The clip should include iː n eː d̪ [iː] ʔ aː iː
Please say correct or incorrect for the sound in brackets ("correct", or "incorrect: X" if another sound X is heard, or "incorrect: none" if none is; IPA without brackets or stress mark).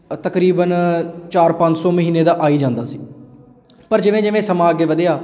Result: incorrect: aː